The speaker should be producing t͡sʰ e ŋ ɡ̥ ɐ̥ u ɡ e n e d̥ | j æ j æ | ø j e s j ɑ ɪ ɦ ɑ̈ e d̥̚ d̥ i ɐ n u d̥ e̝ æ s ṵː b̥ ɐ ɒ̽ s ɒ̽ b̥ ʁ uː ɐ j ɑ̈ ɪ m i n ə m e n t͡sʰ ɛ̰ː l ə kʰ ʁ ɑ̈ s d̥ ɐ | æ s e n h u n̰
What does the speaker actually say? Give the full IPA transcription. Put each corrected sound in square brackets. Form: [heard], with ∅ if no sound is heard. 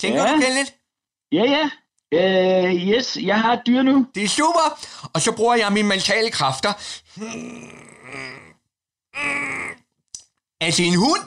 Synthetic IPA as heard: t͡sʰ e ŋ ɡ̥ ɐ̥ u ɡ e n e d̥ | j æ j æ | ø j e s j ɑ ɪ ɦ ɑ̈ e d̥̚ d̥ [y] ɐ n u d̥ e̝ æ s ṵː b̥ ɐ ɒ̽ s ɒ̽ b̥ ʁ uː ɐ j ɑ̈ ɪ m i n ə m e n t͡sʰ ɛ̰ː l ə kʰ ʁ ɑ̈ [f] d̥ ɐ | æ s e n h u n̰